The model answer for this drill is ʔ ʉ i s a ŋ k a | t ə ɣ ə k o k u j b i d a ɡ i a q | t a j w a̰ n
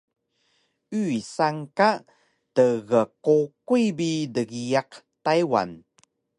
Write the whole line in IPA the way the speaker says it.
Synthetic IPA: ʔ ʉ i s a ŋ k a | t ə ɣ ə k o k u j b i d ə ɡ i a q | t a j w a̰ n